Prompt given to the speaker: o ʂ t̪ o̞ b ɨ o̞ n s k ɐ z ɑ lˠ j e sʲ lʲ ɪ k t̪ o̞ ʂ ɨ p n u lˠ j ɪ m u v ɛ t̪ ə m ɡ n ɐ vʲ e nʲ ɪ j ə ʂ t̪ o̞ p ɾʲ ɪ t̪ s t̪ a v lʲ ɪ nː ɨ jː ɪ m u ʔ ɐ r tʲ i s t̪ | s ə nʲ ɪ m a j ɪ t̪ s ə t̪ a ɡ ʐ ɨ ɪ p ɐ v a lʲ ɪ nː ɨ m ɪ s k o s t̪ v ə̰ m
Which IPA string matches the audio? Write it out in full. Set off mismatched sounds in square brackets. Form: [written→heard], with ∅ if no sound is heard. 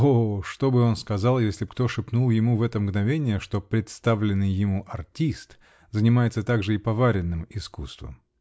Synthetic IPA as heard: o ʂ t̪ o̞ b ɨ o̞ n s k ɐ z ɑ lˠ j e sʲ lʲ ɪ k t̪ o̞ ʂ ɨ p n u lˠ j ɪ m u v ɛ t̪ ə m ɡ n ɐ vʲ e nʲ ɪ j ə ʂ t̪ o̞ p ɾʲ ɪ t̪ s t̪ a v lʲ ɪ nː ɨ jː ɪ m u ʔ ɐ r tʲ i s t̪ | [s→z] ə nʲ ɪ m a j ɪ t̪ s ə t̪ a ɡ ʐ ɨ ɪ p ɐ v a [lʲ→ɾʲ] ɪ nː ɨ m ɪ s k [o→u] s t̪ v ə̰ m